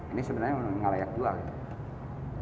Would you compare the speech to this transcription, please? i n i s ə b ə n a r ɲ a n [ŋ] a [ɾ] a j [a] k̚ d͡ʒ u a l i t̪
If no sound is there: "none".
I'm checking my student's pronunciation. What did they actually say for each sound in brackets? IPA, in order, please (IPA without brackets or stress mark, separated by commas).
ŋ, l, a